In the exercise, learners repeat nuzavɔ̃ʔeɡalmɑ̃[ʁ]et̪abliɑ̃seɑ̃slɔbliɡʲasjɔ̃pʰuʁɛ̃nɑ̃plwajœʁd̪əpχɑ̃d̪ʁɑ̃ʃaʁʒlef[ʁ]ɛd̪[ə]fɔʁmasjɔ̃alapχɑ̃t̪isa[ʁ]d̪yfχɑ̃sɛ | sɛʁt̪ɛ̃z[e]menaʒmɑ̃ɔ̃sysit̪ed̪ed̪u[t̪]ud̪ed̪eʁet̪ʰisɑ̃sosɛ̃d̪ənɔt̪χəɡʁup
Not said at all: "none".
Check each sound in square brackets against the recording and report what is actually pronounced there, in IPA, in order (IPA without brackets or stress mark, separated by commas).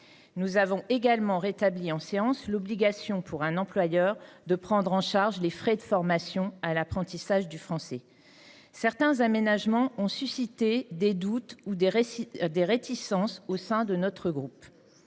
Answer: ʁ, χ, ə, ʒ, a, t̪